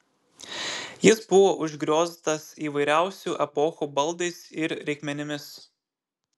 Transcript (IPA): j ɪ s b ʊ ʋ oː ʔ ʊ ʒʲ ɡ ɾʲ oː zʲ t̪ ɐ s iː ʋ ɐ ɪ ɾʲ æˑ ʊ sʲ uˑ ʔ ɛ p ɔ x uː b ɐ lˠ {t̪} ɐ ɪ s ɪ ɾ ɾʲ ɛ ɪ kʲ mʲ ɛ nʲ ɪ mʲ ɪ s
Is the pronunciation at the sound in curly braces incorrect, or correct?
incorrect